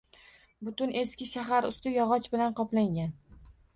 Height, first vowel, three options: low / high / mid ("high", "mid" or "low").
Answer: high